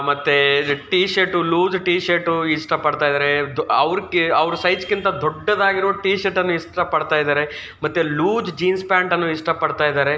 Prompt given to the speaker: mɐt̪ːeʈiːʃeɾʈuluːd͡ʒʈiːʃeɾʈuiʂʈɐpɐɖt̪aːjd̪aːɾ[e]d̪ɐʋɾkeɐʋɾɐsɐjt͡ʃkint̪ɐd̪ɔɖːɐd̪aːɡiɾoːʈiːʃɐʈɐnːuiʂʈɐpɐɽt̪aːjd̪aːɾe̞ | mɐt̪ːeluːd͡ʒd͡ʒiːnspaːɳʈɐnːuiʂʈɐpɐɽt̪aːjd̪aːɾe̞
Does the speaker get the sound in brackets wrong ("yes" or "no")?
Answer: no